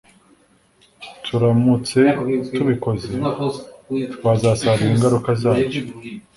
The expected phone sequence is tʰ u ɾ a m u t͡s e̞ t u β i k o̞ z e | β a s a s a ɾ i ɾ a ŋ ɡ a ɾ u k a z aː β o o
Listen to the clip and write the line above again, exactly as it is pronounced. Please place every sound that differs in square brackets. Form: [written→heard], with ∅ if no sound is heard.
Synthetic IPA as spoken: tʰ u ɾ a m u t͡s e̞ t u β i k o̞ z e | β a [s→z] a s a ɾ i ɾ [a→i] ŋ ɡ a ɾ u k a z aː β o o